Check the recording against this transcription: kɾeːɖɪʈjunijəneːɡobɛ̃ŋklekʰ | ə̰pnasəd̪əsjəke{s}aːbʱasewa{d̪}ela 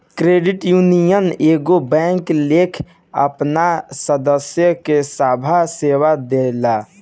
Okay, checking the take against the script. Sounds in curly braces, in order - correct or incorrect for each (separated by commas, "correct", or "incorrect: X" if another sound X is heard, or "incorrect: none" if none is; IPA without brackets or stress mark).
correct, correct